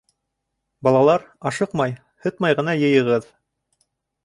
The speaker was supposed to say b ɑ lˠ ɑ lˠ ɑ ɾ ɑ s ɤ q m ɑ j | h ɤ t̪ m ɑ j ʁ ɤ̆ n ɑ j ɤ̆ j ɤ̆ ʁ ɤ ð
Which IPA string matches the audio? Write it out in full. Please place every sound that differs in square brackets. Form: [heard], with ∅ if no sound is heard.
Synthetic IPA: b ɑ lˠ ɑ lˠ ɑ ɾ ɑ [ʃ] ɤ q m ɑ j | h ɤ t̪ m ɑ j ʁ ɤ̆ n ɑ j ɤ̆ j ɤ̆ ʁ ɤ ð